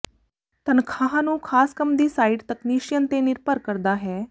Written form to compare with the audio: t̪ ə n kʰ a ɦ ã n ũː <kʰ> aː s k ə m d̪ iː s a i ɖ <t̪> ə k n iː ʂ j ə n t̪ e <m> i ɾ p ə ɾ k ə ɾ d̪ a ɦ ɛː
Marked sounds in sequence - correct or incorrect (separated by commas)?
correct, correct, incorrect